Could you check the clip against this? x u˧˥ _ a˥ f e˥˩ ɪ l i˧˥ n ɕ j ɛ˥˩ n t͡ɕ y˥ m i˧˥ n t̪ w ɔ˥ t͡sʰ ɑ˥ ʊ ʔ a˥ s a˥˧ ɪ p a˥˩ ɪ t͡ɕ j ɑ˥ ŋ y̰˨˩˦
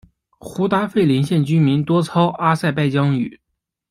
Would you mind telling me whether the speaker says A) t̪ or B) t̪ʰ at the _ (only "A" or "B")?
A